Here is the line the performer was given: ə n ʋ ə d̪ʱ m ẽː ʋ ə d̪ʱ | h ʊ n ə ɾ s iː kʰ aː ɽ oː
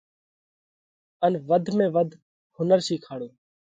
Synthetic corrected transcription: ə n ʋ ə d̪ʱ m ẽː ʋ ə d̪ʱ | h ʊ n ə ɾ s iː kʰ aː ɽ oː